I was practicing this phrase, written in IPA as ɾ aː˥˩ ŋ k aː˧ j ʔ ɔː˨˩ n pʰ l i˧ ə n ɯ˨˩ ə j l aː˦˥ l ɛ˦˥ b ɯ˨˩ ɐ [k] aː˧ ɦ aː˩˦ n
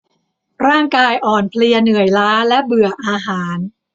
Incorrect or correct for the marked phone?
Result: incorrect: ʔ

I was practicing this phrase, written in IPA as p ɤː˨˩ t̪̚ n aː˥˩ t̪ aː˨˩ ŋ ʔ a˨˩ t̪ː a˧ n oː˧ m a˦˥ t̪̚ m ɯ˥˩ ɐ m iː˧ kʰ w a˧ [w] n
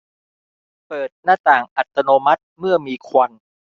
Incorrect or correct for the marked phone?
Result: incorrect: none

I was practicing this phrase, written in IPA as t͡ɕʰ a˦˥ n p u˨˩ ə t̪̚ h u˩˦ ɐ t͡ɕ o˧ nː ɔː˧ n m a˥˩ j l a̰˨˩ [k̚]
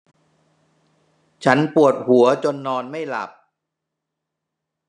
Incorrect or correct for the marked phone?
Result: incorrect: p̚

